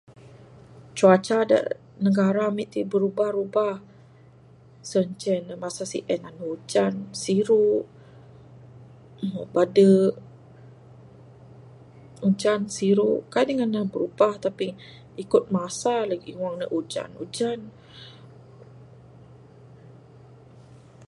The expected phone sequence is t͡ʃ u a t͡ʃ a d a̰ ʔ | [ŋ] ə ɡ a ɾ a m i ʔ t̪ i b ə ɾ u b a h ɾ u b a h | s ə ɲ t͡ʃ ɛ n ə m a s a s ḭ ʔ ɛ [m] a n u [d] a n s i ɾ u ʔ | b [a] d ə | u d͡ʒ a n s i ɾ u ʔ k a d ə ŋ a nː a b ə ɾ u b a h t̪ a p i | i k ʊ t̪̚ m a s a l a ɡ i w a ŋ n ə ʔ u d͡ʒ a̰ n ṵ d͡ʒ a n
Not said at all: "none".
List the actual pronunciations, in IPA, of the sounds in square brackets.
n, n, d͡ʒ, a

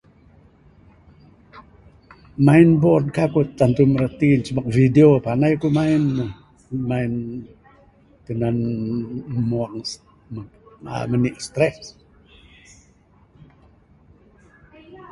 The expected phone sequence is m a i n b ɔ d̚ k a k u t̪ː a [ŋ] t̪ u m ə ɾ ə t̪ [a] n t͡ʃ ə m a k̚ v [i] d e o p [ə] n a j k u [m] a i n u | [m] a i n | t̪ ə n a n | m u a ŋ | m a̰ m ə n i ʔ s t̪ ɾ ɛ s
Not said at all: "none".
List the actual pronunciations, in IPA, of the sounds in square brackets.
n, i, i, a, m, m

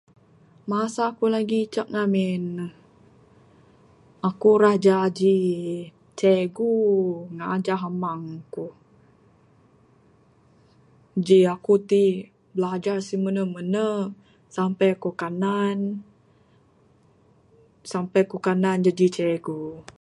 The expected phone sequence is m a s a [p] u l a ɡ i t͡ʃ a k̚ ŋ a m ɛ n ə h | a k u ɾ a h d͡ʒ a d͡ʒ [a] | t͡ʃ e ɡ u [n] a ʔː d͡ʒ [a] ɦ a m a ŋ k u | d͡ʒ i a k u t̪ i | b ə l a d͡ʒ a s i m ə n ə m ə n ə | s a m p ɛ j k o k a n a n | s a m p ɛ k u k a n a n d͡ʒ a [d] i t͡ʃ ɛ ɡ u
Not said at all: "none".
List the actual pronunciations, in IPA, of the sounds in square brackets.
k, i, ŋ, a, d͡ʒ

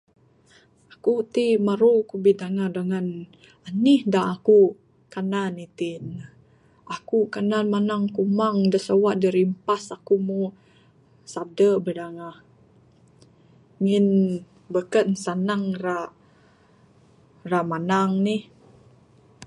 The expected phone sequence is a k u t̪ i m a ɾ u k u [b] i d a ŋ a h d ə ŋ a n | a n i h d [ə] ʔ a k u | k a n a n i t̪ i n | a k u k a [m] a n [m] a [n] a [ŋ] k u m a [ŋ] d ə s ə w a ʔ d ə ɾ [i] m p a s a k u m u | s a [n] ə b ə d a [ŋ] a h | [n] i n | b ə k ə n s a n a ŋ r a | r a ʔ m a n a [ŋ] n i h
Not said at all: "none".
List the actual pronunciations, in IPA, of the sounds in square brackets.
b, a, n, m, n, ŋ, ŋ, i, d, ŋ, ŋ, ŋ

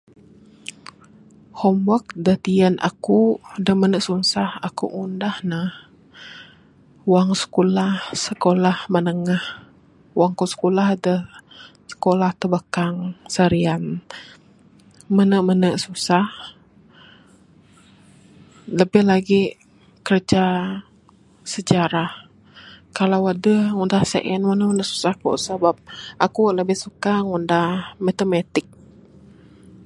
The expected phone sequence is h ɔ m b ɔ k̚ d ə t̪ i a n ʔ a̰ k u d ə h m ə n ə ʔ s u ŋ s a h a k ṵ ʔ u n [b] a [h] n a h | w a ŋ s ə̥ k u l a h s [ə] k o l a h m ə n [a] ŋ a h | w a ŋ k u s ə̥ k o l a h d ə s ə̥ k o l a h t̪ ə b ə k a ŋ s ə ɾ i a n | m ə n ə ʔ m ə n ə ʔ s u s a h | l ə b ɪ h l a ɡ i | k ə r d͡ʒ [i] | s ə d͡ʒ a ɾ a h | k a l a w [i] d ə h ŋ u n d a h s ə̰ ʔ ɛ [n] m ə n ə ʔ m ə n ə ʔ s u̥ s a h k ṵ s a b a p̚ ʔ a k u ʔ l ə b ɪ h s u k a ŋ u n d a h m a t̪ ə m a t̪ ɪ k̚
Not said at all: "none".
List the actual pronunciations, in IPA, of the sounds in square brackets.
d, h, ə, ə, a, a, n

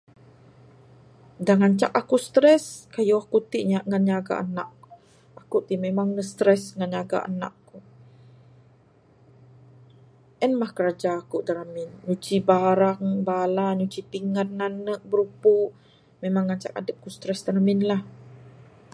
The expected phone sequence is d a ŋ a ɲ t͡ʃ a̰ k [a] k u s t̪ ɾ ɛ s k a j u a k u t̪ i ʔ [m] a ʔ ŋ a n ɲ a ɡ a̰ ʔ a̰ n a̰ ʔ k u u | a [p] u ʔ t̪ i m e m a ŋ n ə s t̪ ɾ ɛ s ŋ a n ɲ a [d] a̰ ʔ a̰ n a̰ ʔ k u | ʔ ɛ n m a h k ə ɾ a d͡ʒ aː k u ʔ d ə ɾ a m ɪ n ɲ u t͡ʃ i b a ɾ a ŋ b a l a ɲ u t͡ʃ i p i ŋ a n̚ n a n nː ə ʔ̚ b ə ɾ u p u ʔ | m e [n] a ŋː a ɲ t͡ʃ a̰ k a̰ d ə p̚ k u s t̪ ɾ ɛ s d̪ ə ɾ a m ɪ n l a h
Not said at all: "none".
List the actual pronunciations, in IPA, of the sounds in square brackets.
a, ɲ, k, ɡ, m

